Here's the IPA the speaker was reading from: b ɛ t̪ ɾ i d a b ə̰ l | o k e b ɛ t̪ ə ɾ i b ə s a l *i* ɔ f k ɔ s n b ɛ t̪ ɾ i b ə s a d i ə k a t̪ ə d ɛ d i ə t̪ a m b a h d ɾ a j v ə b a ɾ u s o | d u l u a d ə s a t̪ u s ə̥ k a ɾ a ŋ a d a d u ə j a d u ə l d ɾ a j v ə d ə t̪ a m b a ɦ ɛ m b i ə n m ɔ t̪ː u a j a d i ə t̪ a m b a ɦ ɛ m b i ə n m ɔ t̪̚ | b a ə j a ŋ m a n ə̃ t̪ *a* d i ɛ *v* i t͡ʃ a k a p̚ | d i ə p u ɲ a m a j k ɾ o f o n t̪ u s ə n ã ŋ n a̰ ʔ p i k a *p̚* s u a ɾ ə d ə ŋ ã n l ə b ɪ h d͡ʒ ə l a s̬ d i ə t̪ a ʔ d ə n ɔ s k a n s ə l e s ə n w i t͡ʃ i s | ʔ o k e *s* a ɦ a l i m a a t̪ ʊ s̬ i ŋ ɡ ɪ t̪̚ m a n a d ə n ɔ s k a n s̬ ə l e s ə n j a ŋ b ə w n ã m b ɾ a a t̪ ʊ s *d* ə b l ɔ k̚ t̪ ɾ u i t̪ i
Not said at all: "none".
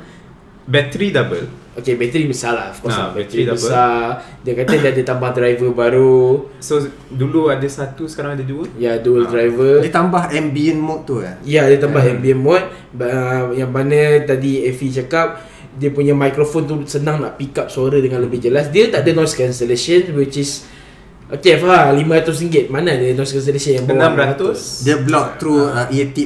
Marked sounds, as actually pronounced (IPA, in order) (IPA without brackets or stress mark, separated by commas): a, a, f, p̚, f, d